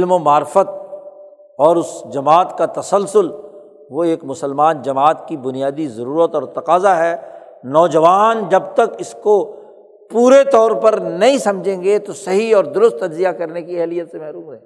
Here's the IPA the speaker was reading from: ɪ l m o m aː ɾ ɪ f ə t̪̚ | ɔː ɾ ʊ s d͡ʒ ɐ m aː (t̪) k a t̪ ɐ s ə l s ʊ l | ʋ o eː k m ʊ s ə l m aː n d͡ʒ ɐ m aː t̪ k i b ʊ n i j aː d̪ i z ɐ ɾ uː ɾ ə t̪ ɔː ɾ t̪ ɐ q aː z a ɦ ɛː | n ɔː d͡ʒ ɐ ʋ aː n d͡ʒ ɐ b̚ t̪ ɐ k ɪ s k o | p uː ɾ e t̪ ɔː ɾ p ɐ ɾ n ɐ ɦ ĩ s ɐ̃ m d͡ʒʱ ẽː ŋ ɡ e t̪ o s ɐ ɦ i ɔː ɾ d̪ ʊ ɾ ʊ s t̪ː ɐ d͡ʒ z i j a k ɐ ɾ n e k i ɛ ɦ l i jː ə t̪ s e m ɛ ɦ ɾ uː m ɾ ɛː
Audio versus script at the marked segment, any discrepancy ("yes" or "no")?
no